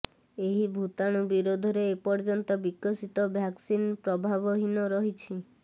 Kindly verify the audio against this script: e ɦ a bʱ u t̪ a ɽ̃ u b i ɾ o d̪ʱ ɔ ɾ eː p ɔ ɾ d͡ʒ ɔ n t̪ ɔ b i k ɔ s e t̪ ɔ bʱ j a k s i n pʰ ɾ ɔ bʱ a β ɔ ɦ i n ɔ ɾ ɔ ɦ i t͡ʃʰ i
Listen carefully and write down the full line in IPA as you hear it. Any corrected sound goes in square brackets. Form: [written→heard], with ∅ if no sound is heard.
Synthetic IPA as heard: e ɦ [a→i] bʱ u t̪ a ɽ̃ u b i ɾ o d̪ʱ ɔ ɾ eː p ɔ ɾ d͡ʒ ɔ n t̪ ɔ b i k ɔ s [e→i] t̪ ɔ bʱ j a k s i n [pʰ→p] ɾ ɔ bʱ a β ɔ ɦ i n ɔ ɾ ɔ ɦ i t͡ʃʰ i